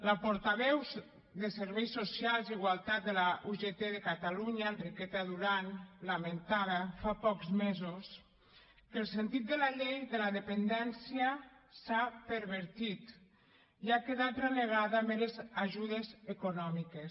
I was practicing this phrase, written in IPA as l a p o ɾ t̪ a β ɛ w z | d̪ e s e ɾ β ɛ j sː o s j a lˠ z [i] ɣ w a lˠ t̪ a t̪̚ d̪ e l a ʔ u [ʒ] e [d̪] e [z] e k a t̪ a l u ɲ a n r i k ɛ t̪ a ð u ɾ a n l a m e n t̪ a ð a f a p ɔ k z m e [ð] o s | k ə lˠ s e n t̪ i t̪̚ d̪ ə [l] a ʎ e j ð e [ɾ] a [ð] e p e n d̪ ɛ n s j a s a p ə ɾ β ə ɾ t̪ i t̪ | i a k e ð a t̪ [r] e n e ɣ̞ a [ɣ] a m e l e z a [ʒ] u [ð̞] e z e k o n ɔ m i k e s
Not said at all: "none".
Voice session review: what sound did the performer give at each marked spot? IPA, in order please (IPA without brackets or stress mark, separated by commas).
i, ʒ, t̪, ð, z, l, l, ð, r, ð, ʒ, ð̞